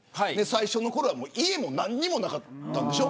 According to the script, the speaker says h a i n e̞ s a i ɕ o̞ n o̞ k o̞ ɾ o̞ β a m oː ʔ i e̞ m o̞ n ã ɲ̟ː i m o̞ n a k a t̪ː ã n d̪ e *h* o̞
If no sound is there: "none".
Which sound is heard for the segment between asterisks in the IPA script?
ɕ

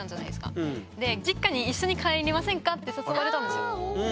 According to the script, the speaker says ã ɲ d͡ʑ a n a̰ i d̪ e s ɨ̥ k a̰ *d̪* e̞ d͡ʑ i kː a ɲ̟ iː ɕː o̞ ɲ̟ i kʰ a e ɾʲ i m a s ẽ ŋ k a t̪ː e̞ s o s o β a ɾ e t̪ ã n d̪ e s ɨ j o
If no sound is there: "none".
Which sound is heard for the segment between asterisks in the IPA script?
d̪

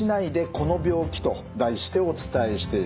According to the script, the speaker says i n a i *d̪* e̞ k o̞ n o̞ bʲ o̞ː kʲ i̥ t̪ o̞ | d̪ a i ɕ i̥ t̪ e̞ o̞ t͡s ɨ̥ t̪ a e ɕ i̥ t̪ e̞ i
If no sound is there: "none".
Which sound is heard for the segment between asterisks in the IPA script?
d̪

